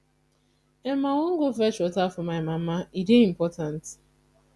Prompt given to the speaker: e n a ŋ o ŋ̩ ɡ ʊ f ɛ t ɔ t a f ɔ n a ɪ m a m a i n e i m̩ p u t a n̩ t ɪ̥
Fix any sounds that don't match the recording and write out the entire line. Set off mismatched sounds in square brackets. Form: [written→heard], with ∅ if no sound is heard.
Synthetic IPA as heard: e [n→m] a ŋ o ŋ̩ ɡ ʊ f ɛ [t→t͡ʃ] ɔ t a f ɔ [n→m] a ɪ m a m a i [n→d] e i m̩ p [u→ɔ] t a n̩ t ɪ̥